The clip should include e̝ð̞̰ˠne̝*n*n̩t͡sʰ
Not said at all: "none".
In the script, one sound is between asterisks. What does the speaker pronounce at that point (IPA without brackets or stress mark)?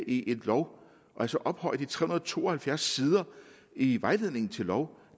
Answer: ŋ